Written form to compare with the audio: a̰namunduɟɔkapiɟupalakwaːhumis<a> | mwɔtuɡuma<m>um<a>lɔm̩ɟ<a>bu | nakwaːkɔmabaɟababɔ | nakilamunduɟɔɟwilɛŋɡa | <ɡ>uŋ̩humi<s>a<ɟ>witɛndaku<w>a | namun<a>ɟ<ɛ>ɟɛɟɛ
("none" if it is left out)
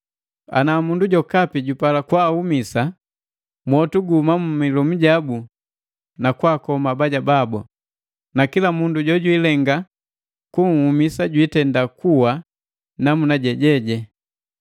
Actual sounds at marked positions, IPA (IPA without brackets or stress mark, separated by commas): a, m, i, a, k, s, ɟ, w, a, ɛ